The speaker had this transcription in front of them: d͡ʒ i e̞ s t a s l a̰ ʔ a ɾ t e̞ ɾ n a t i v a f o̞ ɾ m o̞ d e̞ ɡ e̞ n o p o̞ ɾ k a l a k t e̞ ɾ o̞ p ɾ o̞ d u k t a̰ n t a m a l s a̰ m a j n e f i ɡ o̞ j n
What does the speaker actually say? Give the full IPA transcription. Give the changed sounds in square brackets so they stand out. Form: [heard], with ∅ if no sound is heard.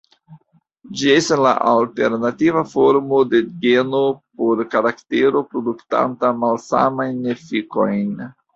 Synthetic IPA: d͡ʒ i e̞ s t a s l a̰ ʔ a [l] t e̞ ɾ n a t i v a f o̞ ɾ m o̞ d e̞ ɡ e̞ n o p o̞ ɾ k a [ɾ] a k t e̞ ɾ o̞ p ɾ o̞ d u k t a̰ n t a m a l s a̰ m a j n e f i [k] o̞ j n